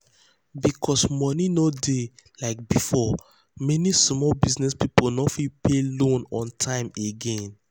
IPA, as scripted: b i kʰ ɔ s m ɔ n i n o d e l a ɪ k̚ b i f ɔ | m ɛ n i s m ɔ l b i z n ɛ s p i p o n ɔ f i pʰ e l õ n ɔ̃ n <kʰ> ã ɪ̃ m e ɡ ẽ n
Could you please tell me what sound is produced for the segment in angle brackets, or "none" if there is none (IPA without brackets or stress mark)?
tʰ